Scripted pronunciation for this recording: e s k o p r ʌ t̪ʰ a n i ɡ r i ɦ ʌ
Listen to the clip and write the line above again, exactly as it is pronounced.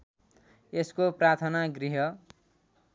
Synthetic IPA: e s k o p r a t̪ʰ ʌ n a ɡ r i ɦ ʌ